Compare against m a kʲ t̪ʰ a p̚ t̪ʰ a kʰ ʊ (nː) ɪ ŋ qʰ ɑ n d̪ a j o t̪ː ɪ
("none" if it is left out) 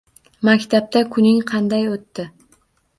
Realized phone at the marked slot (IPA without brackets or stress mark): n